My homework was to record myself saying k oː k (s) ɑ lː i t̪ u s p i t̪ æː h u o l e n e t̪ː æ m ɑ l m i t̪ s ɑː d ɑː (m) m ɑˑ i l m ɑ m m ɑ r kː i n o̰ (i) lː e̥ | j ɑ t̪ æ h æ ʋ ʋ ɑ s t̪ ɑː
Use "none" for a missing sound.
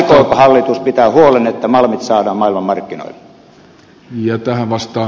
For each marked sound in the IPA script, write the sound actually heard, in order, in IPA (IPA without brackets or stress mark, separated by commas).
h, m, i